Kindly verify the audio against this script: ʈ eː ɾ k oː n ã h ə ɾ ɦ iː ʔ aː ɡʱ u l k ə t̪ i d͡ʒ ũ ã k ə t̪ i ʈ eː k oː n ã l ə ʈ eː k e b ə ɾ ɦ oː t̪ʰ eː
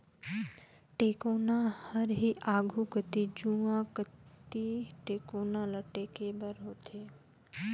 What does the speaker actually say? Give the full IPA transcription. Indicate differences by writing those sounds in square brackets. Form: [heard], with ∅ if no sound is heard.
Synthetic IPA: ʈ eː [∅] k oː n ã h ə ɾ ɦ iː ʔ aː ɡʱ u [∅] k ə t̪ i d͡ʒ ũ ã k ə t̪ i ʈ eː k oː n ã l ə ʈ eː k e b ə ɾ ɦ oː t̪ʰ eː